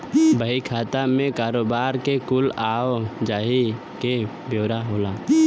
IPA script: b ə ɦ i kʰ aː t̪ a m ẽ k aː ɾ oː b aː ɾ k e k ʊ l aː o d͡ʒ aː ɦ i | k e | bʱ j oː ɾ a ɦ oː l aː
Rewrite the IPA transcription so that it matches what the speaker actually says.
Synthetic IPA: b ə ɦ i kʰ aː t̪ a m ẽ k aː ɾ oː b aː ɾ k e k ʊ l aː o d͡ʒ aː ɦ i | k e | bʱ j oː ɾ a ɦ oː l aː